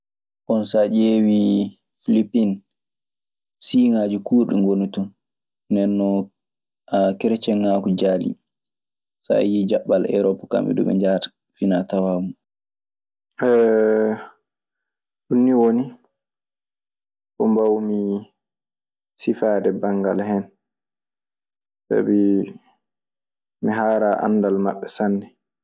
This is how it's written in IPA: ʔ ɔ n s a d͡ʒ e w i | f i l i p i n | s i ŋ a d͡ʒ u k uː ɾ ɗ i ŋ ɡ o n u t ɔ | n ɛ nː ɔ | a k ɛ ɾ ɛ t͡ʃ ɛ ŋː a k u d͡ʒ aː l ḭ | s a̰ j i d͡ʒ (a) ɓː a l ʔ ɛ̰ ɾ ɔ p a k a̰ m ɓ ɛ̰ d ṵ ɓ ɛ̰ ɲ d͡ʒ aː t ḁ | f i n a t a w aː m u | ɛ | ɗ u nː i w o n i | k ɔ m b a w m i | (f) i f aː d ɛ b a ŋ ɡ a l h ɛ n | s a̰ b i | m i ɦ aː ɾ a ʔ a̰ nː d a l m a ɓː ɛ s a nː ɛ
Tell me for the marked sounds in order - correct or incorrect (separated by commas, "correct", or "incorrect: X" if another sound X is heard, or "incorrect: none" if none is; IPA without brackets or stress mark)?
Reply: correct, incorrect: s